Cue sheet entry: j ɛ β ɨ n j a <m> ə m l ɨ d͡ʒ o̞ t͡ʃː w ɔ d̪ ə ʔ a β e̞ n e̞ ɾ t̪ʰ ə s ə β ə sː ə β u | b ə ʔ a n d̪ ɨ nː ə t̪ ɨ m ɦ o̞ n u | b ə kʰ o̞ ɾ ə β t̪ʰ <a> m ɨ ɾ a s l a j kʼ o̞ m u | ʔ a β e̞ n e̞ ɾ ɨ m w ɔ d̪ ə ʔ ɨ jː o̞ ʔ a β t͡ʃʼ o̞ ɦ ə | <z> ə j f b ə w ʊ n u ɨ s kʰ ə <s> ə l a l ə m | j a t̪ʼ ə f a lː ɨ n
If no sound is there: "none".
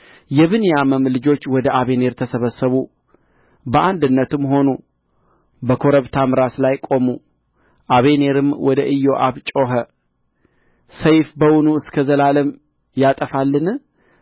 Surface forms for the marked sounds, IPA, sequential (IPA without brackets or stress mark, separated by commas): m, a, s, z